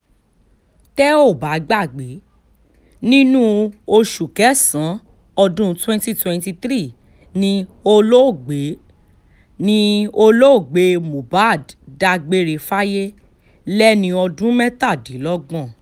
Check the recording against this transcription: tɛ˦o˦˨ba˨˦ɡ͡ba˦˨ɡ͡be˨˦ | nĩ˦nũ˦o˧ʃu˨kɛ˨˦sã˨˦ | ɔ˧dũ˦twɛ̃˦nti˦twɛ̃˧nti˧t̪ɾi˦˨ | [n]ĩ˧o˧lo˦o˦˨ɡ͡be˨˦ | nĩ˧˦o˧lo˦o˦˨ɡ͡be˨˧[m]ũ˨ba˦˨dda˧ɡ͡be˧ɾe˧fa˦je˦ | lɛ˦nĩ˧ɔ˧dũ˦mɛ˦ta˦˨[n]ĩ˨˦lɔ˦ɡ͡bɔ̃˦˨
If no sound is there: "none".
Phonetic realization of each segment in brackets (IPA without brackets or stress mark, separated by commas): n, m, d